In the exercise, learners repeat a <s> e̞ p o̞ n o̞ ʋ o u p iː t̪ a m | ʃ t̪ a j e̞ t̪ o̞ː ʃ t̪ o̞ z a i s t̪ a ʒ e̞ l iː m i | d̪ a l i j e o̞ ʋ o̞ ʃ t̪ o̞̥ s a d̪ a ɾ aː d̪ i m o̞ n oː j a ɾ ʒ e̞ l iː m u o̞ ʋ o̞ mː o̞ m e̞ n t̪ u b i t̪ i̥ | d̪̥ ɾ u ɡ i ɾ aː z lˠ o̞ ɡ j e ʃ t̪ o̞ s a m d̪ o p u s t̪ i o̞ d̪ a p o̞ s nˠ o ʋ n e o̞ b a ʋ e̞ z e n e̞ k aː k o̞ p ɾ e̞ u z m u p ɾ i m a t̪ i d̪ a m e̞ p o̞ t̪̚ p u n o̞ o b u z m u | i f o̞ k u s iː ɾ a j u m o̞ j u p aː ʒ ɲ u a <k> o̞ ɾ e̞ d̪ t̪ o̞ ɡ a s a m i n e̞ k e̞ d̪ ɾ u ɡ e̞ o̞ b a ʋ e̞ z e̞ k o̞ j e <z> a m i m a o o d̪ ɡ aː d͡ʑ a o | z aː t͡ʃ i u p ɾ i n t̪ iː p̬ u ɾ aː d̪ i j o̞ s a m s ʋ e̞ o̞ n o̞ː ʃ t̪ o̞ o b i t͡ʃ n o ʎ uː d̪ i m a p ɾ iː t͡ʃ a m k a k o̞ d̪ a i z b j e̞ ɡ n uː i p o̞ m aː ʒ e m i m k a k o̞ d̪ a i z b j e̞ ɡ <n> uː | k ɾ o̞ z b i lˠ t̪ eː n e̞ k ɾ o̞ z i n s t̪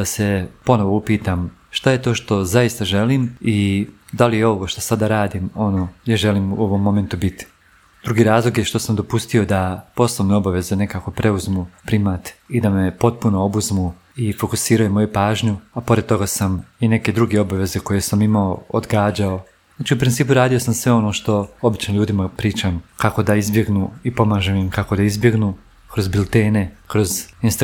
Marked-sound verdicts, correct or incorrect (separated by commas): correct, incorrect, incorrect, correct